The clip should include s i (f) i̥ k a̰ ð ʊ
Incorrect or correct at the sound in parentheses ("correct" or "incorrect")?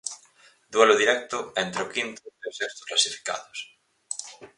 correct